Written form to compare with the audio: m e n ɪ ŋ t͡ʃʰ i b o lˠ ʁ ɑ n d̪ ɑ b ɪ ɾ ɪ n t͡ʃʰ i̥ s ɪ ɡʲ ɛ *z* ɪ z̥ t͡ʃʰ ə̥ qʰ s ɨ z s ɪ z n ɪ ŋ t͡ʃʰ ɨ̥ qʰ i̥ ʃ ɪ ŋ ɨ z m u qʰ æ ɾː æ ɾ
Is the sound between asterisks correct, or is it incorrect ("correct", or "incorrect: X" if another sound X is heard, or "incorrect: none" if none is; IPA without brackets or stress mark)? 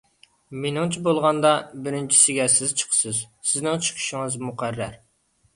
incorrect: s